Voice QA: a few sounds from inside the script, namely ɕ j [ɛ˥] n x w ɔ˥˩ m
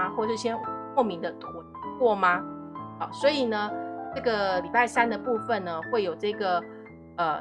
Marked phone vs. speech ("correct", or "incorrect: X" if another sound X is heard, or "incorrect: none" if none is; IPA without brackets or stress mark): correct